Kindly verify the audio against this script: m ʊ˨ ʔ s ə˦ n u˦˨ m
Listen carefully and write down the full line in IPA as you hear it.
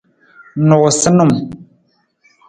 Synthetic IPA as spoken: n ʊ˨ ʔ s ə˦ n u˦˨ m